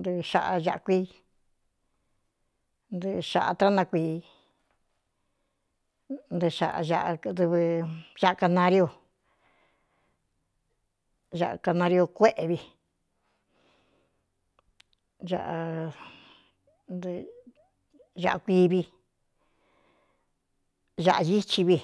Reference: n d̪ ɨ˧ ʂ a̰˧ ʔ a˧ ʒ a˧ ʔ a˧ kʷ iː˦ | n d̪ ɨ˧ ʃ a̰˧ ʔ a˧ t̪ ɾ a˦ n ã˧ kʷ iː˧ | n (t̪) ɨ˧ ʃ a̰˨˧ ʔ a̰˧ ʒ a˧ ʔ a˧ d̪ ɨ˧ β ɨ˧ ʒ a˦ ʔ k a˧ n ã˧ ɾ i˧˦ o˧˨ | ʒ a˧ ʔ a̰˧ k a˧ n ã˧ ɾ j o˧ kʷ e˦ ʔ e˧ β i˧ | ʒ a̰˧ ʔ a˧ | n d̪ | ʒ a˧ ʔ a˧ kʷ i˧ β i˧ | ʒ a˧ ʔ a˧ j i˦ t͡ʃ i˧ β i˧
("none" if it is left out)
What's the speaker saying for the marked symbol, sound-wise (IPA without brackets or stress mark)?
d̪